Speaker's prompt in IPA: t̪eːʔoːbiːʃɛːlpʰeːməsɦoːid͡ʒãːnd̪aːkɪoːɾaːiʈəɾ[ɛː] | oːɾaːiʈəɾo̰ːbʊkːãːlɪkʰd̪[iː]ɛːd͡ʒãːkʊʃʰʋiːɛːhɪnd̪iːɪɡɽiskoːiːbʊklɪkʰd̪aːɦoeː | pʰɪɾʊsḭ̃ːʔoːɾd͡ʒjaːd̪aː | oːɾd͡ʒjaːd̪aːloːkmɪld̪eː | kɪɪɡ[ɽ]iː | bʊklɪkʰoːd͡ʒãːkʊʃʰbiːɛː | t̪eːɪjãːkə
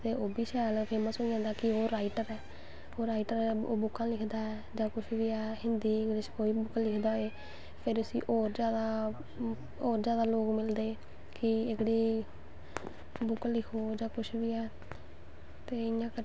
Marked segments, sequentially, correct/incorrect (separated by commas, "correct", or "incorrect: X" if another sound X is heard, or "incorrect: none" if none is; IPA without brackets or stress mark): correct, incorrect: aː, correct